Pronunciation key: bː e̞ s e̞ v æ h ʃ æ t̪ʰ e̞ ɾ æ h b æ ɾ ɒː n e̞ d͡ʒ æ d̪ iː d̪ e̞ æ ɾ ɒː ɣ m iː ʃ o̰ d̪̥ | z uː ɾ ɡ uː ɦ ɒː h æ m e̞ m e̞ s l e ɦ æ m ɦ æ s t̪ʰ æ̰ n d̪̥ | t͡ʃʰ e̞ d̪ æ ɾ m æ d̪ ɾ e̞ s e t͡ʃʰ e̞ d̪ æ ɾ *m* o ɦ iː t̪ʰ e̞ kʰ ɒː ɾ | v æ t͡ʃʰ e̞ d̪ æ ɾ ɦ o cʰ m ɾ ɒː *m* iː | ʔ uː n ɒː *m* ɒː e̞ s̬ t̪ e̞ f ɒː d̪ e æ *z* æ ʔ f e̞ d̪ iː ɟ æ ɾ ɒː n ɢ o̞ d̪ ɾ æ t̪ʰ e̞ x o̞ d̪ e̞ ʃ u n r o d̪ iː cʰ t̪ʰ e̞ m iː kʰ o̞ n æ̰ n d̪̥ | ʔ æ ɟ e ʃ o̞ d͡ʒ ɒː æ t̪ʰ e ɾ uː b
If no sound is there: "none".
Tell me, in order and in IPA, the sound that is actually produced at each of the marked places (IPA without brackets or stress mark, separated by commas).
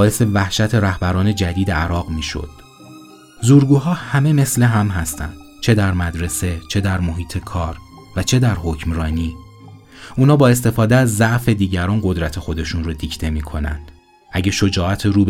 m, n, b, zː